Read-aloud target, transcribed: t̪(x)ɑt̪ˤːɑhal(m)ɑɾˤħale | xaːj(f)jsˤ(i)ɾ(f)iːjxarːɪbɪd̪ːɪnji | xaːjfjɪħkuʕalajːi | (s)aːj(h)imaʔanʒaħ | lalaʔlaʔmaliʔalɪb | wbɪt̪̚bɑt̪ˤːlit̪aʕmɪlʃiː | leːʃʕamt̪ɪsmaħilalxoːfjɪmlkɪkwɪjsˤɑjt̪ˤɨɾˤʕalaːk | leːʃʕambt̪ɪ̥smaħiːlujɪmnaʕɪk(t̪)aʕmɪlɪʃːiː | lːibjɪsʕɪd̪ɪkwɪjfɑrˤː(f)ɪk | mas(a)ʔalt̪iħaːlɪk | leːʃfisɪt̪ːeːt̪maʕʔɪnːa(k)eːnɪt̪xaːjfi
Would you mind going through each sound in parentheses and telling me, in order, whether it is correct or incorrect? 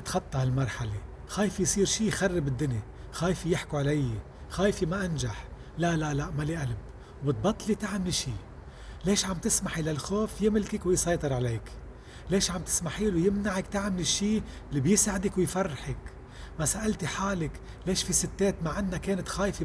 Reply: correct, correct, correct, incorrect: iː, incorrect: ʃ, incorrect: x, incorrect: f, correct, incorrect: ħ, correct, correct

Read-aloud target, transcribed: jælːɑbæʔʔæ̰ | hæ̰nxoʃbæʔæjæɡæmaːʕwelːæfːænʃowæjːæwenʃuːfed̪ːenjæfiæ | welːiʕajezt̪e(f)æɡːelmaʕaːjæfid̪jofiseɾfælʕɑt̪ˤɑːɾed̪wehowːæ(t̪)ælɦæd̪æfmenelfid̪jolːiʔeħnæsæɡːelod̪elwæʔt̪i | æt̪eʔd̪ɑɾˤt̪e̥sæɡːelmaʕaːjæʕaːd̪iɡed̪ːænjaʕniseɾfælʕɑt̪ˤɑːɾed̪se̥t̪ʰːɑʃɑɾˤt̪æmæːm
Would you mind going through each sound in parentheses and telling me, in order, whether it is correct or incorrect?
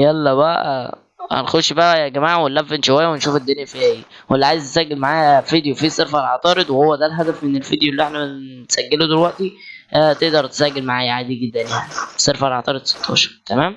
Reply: incorrect: s, incorrect: d̪

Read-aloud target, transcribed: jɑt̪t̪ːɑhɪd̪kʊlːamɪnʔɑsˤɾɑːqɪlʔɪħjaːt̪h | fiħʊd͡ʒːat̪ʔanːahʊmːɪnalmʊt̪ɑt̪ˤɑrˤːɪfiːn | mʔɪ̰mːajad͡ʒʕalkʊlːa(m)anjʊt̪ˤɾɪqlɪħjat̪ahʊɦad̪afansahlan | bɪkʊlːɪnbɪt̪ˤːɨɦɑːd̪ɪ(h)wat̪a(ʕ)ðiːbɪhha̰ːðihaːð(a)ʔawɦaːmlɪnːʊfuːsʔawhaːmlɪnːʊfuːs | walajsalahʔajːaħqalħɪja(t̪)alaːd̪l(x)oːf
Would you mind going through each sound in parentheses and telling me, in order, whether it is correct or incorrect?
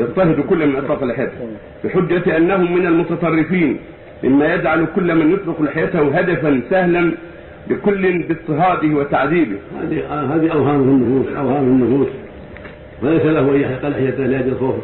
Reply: correct, correct, correct, incorrect: i, correct, correct

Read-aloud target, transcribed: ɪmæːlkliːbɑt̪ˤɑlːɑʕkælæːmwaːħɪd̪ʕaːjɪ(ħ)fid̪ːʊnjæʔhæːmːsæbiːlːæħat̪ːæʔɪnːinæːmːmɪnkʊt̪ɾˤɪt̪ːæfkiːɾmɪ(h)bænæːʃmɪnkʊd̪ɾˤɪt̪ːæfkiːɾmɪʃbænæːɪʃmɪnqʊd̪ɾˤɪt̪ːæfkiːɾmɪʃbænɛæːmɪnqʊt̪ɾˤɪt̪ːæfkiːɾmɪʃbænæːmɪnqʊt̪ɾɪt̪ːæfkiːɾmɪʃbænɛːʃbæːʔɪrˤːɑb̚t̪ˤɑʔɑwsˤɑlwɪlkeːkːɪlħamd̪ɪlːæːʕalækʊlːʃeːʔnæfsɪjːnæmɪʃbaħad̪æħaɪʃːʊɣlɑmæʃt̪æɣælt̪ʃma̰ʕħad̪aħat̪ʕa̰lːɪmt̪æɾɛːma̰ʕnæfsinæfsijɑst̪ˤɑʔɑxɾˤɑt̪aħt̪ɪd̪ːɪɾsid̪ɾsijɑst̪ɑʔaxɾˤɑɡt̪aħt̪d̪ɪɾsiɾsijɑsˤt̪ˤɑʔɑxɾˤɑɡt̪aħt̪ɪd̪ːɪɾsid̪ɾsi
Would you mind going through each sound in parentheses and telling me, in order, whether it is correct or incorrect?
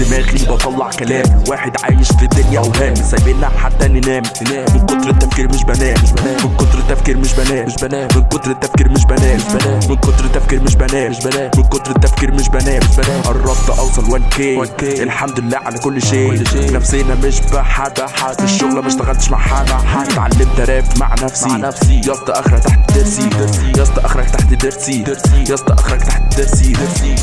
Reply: incorrect: ʃ, incorrect: ʃ

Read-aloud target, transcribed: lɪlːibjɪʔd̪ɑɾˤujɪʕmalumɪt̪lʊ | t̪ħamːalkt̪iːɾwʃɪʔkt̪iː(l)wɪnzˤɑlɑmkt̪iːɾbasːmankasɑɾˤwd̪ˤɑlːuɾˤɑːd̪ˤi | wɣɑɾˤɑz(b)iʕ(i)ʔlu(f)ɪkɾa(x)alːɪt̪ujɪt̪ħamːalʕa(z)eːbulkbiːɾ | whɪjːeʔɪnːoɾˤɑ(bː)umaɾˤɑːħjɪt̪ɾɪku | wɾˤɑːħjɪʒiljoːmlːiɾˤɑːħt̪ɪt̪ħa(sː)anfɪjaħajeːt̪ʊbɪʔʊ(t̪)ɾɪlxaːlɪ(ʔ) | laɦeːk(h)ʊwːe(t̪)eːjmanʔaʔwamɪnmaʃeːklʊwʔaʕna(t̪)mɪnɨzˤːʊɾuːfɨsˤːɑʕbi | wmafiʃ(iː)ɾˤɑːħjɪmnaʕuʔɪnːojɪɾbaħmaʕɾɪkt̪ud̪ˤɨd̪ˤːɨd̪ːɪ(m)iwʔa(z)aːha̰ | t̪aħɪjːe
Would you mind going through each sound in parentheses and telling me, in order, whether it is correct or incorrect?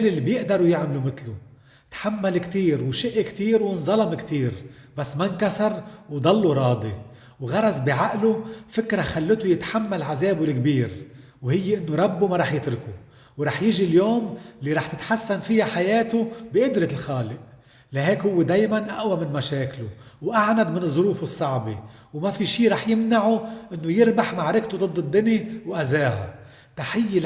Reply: incorrect: ɾ, correct, incorrect: a, correct, correct, correct, correct, correct, incorrect: d̪, correct, correct, incorrect: d̪, incorrect: d̪, correct, incorrect: n, correct

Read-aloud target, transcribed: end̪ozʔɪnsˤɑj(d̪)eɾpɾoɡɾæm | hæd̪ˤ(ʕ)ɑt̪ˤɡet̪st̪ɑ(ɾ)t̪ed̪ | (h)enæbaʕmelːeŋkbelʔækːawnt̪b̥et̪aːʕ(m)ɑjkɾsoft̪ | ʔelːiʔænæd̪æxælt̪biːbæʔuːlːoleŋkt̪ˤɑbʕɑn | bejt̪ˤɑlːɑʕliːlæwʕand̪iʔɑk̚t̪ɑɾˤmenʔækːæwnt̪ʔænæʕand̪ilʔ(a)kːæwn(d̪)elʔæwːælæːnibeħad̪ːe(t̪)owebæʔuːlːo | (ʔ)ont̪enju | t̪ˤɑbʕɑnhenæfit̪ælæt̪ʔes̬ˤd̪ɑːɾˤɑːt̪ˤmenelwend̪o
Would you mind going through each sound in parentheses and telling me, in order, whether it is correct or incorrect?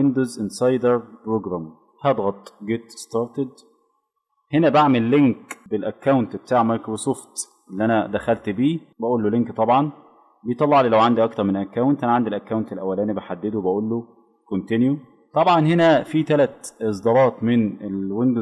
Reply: correct, incorrect: ɣ, correct, correct, correct, incorrect: æ, incorrect: t̪, incorrect: d̪, incorrect: k

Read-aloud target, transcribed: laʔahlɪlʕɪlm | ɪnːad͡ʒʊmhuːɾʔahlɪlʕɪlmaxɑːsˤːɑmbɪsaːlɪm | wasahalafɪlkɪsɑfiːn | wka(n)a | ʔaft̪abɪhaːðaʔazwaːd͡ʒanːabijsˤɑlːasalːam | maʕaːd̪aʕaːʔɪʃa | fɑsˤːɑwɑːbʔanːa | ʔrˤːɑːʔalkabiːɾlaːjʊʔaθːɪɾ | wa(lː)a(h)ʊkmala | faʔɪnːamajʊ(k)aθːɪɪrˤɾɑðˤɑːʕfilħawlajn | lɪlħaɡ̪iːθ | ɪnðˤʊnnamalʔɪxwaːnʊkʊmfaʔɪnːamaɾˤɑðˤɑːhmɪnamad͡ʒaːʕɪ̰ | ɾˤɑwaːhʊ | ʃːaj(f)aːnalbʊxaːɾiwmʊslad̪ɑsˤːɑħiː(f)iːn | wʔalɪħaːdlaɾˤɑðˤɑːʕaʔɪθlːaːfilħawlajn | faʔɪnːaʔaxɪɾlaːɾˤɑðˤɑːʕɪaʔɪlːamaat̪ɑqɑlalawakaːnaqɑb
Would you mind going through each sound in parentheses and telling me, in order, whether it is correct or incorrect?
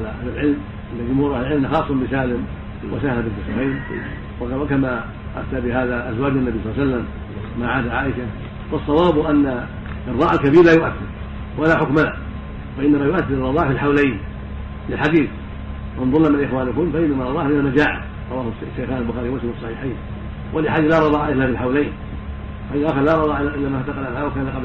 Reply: incorrect: m, incorrect: l, incorrect: ħ, incorrect: ʔ, incorrect: x, incorrect: ħ

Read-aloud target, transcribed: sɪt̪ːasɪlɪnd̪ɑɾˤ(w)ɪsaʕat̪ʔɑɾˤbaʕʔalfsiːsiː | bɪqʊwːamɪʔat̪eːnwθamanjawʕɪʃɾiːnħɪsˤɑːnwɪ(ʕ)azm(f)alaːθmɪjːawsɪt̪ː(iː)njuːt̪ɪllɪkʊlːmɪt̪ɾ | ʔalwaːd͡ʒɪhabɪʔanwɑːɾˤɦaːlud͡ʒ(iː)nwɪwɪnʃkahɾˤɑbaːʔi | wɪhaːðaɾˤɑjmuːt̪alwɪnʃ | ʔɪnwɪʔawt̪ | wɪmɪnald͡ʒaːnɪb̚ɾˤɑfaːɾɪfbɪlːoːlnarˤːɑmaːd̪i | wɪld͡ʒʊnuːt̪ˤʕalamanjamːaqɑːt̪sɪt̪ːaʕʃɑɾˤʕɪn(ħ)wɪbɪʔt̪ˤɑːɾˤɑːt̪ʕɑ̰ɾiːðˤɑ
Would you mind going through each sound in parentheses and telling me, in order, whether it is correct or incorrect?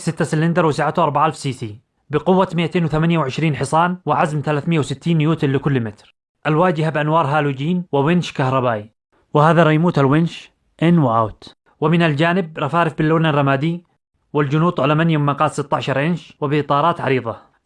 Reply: correct, correct, incorrect: θ, correct, correct, incorrect: ʃ

